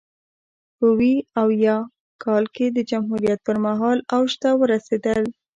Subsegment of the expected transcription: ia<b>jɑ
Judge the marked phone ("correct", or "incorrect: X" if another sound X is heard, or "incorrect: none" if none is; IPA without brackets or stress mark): incorrect: w